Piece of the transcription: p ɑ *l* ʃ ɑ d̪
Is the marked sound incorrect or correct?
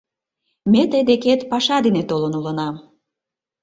incorrect